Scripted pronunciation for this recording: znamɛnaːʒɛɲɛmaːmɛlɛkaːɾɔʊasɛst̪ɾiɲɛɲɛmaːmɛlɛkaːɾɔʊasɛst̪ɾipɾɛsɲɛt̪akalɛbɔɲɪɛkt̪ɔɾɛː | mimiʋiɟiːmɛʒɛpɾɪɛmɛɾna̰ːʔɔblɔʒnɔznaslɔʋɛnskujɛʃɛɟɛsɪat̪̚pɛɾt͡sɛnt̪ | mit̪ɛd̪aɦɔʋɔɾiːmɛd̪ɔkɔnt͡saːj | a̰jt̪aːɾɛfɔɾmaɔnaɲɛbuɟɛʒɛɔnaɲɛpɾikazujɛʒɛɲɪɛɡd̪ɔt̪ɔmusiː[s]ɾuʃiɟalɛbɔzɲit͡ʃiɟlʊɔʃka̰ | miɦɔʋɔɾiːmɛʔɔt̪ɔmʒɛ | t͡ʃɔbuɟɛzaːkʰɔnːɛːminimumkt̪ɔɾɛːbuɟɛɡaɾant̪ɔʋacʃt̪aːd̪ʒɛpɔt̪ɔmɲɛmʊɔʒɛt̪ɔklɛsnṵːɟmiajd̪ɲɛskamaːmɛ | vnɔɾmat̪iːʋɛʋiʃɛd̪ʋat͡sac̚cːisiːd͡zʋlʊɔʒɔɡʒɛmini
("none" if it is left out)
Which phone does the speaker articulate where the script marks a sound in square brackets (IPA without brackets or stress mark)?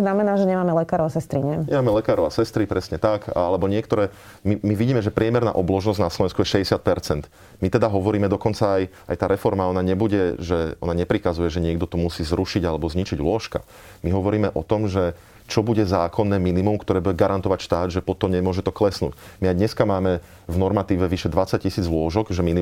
z